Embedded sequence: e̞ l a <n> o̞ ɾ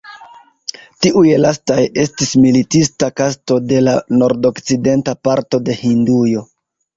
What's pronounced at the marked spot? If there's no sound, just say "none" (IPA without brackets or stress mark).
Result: n